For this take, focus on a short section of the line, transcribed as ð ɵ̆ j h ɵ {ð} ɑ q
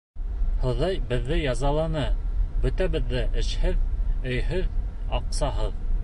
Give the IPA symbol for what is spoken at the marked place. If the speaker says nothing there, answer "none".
ð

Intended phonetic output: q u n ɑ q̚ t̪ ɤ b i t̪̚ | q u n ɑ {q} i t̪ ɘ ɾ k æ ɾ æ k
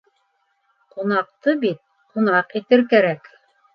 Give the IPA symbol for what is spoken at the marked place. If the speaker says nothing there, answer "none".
q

